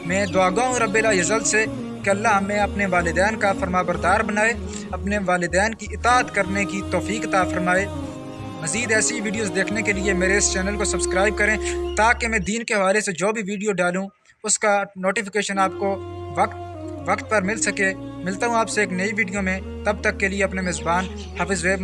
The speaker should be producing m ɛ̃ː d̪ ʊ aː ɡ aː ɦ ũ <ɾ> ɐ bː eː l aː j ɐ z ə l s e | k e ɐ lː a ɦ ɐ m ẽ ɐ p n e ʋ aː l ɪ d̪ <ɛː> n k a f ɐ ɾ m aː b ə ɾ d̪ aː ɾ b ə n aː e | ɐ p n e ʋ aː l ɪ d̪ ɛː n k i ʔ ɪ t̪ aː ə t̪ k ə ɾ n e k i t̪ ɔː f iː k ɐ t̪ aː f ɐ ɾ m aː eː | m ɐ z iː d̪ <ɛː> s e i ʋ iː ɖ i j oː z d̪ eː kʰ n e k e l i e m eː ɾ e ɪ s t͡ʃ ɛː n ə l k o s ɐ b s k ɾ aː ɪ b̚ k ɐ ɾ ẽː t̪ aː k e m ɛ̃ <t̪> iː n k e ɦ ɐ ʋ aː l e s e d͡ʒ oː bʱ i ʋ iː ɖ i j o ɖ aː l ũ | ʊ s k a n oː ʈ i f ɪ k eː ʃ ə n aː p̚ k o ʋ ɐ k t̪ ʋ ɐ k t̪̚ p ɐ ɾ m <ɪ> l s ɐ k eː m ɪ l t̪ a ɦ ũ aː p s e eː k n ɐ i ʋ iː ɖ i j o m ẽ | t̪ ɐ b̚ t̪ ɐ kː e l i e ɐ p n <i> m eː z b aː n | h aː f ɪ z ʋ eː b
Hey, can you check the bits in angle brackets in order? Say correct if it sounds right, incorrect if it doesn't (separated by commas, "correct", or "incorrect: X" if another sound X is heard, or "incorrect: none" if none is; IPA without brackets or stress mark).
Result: correct, correct, correct, incorrect: d̪, correct, incorrect: e